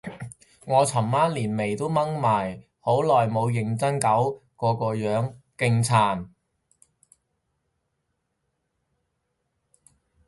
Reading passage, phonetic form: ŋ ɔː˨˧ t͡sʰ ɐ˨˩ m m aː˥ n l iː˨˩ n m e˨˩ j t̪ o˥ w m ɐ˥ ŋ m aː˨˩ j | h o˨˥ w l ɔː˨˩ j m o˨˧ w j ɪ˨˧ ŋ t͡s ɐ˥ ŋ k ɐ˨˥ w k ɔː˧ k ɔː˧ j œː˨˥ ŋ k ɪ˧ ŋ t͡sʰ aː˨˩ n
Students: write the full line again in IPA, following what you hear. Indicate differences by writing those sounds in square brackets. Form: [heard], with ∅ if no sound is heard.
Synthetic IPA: ŋ ɔː˨˧ t͡sʰ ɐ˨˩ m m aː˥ n l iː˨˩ n m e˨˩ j t̪ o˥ w m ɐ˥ ŋ m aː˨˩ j | h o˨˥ w l ɔː˨˩ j m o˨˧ w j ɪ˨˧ ŋ t͡s ɐ˥ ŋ k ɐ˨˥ w k ɔː˧ k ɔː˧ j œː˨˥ ŋ k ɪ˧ ŋ t͡sʰ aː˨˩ n

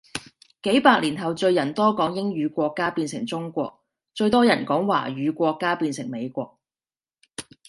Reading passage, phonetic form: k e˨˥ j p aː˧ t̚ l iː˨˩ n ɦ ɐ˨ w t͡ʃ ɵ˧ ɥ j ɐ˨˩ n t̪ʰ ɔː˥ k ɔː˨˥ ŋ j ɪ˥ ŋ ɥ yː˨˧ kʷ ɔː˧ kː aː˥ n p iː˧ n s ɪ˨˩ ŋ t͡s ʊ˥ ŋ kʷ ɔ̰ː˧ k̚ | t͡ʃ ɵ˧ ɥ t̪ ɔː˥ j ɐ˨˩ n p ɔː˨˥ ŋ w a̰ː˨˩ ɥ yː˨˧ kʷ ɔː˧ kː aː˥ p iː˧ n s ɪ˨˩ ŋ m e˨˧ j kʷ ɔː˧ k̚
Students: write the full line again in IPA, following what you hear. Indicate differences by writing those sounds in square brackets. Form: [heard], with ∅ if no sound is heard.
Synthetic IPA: k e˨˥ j p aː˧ [k̚] l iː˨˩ n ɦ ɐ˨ w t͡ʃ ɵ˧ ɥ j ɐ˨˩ n [t̪] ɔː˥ k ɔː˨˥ ŋ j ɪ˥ ŋ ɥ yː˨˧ kʷ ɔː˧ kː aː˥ [∅] p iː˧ n s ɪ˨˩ ŋ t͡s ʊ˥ ŋ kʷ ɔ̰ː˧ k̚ | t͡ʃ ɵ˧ ɥ t̪ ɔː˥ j ɐ˨˩ n [k] ɔː˨˥ ŋ w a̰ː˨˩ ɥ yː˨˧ kʷ ɔː˧ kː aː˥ p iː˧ n s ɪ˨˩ ŋ m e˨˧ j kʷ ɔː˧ k̚

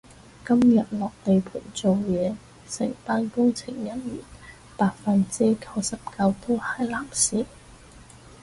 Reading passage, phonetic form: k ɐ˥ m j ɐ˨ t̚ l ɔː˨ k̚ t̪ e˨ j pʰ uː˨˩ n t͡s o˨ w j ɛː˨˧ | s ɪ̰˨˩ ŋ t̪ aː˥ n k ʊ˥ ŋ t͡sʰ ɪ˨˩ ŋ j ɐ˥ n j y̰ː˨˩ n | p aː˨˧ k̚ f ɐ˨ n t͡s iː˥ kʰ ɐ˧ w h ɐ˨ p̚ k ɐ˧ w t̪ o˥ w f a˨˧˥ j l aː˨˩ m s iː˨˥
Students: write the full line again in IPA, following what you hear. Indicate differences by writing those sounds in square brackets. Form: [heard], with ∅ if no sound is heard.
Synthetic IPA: k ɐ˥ m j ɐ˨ t̚ l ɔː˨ k̚ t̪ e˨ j pʰ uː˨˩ n t͡s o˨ w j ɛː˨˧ | s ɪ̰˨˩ ŋ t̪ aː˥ n k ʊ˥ ŋ t͡sʰ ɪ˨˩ ŋ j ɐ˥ n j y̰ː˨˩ n | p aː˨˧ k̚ f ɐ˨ n t͡s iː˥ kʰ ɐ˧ w [s] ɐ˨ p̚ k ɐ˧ w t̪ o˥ w [h] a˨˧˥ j l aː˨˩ m s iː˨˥

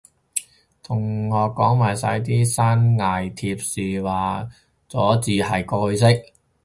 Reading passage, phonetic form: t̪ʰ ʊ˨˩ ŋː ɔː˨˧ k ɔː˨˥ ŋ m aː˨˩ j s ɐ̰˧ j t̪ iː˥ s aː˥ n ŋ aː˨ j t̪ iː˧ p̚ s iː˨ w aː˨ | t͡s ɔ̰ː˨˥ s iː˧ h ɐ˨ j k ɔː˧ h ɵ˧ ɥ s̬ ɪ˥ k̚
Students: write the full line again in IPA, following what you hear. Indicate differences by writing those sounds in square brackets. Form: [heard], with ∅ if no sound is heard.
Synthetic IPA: t̪ʰ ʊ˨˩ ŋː ɔː˨˧ k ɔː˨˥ ŋ m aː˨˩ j s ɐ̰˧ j t̪ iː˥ s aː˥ n ŋ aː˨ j [t̪ʰ] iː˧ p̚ s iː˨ w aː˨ | t͡s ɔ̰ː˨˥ [t͡s] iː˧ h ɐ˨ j k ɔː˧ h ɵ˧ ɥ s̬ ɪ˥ k̚

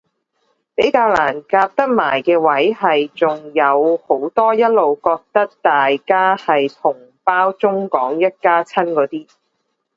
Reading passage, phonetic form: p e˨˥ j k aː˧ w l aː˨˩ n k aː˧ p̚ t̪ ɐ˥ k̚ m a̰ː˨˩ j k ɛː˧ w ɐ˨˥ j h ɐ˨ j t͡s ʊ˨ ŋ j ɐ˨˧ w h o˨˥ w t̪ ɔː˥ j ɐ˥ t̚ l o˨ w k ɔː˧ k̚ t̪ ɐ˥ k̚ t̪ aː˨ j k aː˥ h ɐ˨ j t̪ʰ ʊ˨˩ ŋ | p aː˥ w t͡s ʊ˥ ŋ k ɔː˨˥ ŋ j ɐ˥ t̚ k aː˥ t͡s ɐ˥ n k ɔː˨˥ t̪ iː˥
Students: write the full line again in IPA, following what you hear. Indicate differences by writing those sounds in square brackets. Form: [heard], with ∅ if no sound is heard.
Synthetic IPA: p e˨˥ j k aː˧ w l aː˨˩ n k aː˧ p̚ t̪ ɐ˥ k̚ m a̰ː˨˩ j k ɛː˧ w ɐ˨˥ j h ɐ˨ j t͡s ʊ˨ ŋ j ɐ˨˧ w h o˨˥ w t̪ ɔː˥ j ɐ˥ t̚ l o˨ w k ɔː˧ k̚ t̪ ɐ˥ k̚ t̪ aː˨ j k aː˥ h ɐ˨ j t̪ʰ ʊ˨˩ ŋ | p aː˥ w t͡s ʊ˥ ŋ k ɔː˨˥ ŋ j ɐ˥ t̚ k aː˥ [t͡sʰ] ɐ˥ n k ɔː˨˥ t̪ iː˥

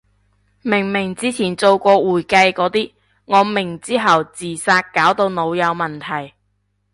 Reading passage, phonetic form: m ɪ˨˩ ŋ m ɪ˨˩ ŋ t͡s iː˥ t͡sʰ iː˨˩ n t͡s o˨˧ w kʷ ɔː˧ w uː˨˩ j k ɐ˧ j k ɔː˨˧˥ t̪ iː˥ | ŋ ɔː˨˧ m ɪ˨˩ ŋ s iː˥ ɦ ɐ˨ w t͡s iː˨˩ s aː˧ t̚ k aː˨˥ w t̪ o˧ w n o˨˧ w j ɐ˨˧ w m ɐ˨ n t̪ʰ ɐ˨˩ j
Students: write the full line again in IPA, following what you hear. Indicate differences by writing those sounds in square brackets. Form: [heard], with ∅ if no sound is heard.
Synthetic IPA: m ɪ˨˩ ŋ m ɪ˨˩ ŋ t͡s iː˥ t͡sʰ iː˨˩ n t͡s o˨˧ w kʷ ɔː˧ w uː˨˩ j k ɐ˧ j k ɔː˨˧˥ t̪ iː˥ | ŋ ɔː˨˧ m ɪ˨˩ ŋ [t͡s] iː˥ ɦ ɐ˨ w t͡s iː˨˩ s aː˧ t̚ k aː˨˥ w t̪ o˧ w n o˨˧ w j ɐ˨˧ w m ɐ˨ n t̪ʰ ɐ˨˩ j

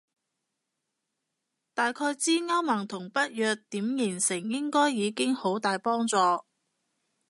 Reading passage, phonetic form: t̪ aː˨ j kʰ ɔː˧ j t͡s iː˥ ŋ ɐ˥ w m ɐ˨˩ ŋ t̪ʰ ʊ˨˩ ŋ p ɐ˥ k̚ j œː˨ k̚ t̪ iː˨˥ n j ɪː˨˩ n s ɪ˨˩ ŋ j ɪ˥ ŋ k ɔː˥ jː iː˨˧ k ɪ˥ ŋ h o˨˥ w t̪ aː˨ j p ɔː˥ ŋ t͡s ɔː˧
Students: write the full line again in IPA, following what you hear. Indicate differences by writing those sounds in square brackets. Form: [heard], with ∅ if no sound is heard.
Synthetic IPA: t̪ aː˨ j kʰ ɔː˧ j t͡s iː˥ ŋ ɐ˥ w m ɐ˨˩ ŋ t̪ʰ ʊ˨˩ ŋ p ɐ˥ [t̚] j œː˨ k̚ t̪ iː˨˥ [m] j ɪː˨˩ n s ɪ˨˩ ŋ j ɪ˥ ŋ k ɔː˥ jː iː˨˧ k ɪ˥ ŋ h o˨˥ w t̪ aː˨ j p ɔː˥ ŋ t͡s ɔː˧

